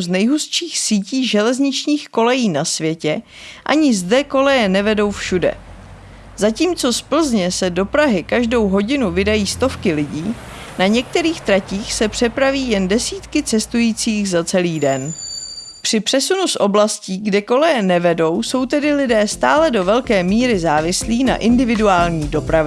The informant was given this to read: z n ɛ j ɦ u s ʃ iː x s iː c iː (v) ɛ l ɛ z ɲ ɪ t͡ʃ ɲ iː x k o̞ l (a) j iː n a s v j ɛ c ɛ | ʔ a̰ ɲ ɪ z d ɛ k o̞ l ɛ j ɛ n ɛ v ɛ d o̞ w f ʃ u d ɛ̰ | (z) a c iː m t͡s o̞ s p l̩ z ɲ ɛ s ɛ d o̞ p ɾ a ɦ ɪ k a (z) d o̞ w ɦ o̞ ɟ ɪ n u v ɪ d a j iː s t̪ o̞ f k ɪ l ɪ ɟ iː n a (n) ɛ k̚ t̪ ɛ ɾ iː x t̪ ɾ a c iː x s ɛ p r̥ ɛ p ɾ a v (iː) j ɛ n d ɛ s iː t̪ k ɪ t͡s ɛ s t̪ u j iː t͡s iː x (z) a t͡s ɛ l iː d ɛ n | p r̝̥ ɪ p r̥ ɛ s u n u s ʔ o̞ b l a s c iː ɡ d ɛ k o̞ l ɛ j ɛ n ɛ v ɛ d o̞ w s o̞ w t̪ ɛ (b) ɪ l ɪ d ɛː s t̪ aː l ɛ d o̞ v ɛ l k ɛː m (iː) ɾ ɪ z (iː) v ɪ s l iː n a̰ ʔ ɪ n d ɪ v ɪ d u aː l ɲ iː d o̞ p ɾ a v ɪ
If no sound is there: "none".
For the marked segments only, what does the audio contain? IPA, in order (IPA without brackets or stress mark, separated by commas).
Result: ʒ, ɛ, z, ʒ, ɲ, iː, z, d, iː, aː